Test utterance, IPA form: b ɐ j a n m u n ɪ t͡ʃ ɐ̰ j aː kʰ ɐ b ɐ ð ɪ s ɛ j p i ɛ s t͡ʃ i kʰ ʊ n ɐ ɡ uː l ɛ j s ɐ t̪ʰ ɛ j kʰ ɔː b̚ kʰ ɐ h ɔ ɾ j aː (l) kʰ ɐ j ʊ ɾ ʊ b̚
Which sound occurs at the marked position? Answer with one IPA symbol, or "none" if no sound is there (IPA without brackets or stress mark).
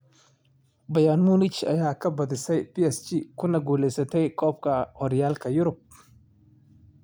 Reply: l